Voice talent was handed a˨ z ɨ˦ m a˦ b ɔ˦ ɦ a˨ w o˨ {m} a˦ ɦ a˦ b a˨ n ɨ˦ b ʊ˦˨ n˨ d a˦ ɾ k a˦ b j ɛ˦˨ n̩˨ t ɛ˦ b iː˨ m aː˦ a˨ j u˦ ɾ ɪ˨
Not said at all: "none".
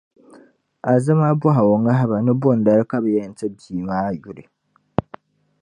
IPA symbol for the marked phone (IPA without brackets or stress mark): ŋ